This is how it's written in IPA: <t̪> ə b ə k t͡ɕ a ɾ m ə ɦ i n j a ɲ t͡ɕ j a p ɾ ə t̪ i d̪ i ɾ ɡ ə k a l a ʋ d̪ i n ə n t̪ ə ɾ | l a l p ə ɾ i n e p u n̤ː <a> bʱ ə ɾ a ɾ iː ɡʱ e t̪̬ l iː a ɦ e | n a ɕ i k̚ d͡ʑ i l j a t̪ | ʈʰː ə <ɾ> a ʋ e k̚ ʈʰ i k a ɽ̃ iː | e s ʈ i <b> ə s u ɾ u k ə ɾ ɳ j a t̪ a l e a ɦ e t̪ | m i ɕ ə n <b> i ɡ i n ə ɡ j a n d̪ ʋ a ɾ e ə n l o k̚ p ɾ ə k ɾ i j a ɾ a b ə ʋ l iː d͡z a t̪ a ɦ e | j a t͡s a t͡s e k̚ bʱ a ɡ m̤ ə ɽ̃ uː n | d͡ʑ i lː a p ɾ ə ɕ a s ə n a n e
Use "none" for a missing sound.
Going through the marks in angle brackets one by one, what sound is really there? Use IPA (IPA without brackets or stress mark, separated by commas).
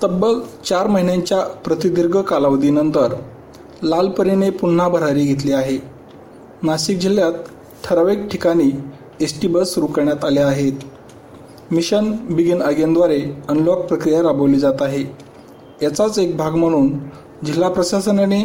t̪, a, ɾ, b, b